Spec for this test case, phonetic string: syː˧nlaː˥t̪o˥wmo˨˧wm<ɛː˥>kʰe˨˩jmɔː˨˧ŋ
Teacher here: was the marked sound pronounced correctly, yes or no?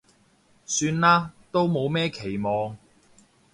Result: yes